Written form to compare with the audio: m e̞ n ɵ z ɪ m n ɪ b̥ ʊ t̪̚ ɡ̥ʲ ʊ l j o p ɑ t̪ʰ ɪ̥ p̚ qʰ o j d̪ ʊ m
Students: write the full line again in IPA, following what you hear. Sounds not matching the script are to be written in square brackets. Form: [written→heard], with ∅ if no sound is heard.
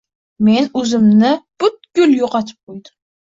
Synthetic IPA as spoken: m e̞ n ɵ z ɪ m n ɪ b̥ ʊ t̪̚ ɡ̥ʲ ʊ l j o [p→q] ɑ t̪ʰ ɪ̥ p̚ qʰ o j d̪ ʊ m